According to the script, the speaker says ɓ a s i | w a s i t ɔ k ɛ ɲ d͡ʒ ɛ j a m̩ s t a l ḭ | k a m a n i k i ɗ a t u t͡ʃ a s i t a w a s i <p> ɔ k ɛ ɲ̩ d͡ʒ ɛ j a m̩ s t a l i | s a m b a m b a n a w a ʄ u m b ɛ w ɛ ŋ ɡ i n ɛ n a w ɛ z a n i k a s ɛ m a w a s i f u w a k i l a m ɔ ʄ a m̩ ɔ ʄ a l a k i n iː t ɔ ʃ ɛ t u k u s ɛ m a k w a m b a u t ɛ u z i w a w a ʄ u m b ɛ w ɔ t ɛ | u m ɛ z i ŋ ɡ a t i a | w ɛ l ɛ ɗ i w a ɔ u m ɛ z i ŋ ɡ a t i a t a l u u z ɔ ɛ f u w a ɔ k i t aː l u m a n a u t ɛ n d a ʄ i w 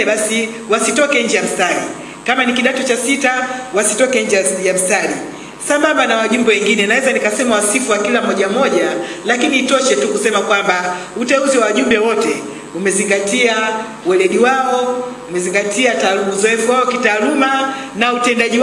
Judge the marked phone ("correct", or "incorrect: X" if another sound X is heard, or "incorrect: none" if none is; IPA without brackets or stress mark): incorrect: t